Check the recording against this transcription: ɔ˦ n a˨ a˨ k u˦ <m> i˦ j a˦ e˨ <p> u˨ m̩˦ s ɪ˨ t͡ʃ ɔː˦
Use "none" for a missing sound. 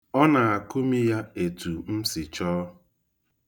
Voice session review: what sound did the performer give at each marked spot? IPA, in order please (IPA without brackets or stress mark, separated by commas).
m, t